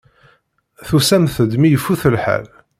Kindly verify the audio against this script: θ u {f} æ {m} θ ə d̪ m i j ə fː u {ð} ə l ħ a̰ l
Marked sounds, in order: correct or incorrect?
incorrect: s, correct, incorrect: θ

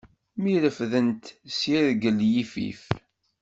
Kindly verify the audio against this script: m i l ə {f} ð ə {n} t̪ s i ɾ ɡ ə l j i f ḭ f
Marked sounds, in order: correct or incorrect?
correct, correct

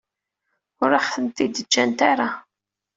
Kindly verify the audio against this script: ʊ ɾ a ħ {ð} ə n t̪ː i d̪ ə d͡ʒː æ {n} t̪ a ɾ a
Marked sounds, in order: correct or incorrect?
incorrect: θ, correct

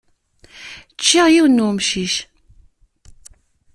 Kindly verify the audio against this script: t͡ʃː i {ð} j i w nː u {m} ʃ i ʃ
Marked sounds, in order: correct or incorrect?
incorrect: ʁ, correct

